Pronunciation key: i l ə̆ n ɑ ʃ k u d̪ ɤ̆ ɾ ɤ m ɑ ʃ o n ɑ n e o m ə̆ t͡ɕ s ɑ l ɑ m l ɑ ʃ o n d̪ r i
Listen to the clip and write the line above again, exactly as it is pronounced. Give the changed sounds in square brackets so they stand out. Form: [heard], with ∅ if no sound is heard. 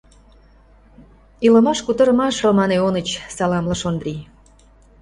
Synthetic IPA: i l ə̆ [m] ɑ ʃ k u [t̪] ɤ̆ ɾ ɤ m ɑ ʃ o [m] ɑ n e o [n] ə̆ t͡ɕ s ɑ l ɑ m l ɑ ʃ o n d̪ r i

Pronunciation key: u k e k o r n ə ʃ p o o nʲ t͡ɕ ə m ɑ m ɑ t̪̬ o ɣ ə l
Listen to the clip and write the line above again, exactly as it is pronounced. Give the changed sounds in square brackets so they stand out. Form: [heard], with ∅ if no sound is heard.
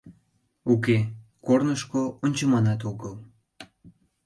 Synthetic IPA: u k e k o r n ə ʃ [k] o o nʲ t͡ɕ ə m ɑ [n] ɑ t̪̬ o ɣ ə l

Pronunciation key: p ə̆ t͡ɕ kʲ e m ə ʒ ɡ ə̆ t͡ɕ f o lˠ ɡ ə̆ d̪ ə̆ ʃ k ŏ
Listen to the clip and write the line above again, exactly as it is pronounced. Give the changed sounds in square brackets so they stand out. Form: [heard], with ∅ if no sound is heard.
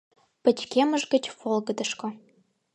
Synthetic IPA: p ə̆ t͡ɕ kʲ e m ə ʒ ɡ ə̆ t͡ɕ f o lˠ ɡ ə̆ d̪ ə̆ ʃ k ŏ

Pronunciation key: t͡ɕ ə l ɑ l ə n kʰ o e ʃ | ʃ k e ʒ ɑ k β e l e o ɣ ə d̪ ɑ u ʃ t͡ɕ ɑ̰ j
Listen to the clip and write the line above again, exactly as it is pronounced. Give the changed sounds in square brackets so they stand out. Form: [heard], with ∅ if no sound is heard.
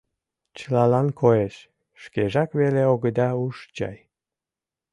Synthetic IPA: t͡ɕ ə l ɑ l [ɑ] n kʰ o e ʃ | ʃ k e ʒ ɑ k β e l e o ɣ ə d̪ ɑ u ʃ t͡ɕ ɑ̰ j

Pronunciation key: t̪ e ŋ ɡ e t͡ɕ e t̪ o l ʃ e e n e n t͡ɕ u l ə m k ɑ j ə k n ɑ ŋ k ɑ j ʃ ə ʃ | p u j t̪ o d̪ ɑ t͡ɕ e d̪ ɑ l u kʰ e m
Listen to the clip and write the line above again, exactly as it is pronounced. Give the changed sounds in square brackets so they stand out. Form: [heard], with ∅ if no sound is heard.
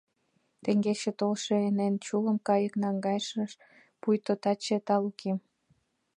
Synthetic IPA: t̪ e ŋ ɡ e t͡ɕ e t̪ o l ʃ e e n e n t͡ɕ u l ə m k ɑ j ə k n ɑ ŋ [ɡ] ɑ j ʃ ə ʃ | p u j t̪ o [t̪] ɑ t͡ɕ e [t̪] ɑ l u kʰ e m

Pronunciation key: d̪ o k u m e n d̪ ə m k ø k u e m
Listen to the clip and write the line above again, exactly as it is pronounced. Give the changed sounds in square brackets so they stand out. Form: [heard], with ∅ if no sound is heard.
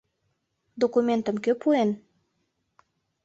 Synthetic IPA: d̪ o k u m e n [t̪] ə m k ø [p] u e [n]

